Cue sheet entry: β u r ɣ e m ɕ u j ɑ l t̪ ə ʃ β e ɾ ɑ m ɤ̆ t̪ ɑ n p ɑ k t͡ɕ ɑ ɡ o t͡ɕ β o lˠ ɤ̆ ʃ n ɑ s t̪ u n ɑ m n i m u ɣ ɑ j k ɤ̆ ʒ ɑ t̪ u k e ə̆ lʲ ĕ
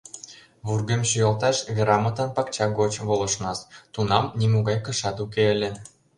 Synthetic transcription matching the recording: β u r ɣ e m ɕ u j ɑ l t̪ ɑ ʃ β e ɾ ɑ m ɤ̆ t̪ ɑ n p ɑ k t͡ɕ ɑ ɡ o t͡ɕ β o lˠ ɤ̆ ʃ n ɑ s t̪ u n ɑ m n i m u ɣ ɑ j k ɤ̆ ʃ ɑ t̪ u k e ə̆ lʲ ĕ